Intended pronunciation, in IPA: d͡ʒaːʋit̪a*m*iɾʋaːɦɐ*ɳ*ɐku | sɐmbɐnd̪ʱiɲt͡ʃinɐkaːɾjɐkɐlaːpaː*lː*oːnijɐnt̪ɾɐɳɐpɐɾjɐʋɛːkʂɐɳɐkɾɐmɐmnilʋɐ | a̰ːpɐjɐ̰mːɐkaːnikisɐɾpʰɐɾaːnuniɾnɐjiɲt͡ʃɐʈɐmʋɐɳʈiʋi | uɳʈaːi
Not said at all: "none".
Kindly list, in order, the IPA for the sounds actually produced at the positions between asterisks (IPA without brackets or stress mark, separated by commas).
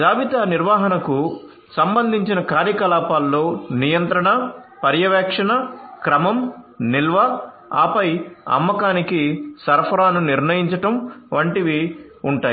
n, n, lː